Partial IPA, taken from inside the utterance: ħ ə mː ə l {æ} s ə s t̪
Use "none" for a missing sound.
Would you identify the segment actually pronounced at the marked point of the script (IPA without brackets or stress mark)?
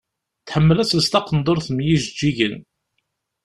æ